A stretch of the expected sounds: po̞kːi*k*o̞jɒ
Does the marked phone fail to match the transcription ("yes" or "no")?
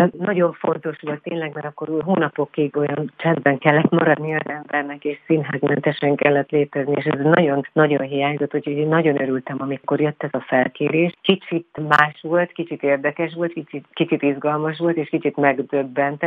yes